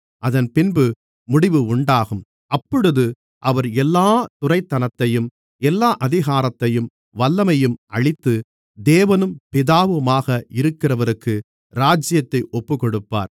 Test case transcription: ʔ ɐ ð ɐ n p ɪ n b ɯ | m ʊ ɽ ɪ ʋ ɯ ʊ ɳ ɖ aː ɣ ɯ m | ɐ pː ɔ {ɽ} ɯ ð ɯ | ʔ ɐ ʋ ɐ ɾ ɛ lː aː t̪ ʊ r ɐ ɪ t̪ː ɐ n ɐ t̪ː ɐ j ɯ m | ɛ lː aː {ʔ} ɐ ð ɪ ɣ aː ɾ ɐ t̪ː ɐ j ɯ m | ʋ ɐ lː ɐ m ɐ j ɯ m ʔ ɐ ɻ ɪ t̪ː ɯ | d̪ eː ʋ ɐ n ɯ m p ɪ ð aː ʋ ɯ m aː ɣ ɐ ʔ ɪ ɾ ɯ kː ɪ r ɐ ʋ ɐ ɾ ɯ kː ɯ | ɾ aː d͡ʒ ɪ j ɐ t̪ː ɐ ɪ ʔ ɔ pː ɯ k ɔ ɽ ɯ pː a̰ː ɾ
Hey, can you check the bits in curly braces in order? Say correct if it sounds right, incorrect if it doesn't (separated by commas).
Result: correct, correct